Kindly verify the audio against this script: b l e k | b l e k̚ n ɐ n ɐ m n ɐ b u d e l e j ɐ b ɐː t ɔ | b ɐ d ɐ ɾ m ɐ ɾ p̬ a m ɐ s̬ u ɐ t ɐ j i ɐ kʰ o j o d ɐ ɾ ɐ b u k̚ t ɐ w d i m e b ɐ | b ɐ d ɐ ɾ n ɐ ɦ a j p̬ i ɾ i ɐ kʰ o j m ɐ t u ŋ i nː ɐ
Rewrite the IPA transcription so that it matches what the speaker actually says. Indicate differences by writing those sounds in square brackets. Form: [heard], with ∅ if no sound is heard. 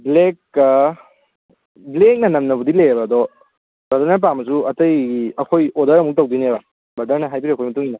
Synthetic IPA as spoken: b l e k | b l e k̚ n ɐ n ɐ m n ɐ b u d [i] l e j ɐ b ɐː [d] ɔ | b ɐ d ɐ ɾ [n] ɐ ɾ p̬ a m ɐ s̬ u ɐ t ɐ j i ɐ kʰ o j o d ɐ ɾ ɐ [m] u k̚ t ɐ w d i [n] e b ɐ | b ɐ d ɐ ɾ n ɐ ɦ a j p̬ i ɾ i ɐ kʰ o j m ɐ t u ŋ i [n] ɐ